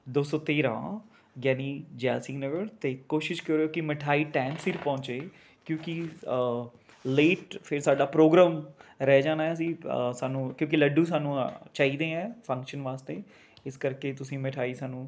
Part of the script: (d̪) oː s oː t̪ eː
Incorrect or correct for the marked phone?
correct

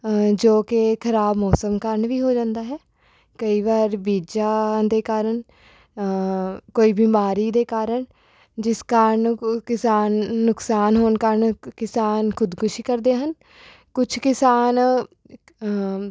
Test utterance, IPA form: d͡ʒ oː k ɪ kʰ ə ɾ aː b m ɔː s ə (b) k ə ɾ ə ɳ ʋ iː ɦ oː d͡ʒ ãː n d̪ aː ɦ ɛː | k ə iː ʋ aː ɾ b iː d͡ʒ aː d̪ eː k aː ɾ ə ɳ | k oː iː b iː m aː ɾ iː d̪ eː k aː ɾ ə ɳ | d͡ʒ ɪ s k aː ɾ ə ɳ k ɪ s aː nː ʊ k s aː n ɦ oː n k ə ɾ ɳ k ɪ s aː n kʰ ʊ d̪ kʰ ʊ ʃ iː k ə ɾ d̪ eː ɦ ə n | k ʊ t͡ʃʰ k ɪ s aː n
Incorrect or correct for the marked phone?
incorrect: m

